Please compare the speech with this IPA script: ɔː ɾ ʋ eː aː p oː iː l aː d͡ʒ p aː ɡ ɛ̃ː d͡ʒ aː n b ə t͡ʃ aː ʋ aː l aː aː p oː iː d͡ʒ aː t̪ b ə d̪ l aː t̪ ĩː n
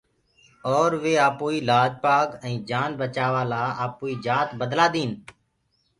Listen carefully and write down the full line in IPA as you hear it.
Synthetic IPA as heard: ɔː ɾ ʋ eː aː p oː iː l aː d͡ʒ p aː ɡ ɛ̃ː d͡ʒ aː n b ə t͡ʃ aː ʋ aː l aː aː p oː iː d͡ʒ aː t̪ b ə d̪ l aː d̪ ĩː n